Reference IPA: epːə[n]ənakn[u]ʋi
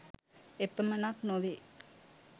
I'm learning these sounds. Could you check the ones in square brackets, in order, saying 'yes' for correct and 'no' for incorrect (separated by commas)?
no, no